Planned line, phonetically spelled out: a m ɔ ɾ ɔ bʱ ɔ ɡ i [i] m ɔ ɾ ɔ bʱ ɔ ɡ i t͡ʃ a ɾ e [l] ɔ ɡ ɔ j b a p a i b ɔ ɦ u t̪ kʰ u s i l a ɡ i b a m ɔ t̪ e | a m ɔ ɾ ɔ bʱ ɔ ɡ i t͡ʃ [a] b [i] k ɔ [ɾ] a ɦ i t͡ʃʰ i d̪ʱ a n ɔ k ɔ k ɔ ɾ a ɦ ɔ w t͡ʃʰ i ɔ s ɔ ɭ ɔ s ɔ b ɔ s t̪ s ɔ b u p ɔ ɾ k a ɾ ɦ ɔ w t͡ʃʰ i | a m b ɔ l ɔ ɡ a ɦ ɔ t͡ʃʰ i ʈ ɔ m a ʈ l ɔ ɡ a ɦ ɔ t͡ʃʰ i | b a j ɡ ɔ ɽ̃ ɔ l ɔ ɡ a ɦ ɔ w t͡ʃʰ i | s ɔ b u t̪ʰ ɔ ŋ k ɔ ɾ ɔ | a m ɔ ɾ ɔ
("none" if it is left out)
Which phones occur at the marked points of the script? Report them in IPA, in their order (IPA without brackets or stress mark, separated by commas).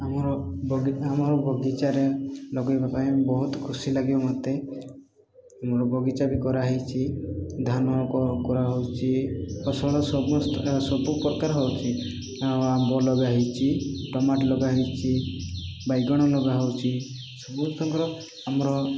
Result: a, l, a, i, ɾ